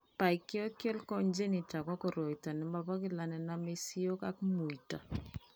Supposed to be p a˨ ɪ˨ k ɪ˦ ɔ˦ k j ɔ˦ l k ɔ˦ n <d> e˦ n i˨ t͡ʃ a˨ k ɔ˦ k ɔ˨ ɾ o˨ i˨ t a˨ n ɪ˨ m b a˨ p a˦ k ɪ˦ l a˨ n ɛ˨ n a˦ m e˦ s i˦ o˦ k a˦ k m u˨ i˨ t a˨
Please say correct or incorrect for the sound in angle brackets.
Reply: incorrect